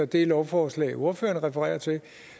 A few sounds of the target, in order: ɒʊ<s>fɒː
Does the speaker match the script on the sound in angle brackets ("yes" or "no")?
no